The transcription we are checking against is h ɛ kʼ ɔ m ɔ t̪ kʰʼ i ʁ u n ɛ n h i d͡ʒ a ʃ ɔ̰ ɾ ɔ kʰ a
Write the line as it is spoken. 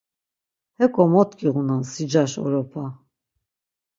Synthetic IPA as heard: h ɛ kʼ ɔ m ɔ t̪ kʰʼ i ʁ u n a n s i d͡ʒ a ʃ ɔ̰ ɾ ɔ pʰ a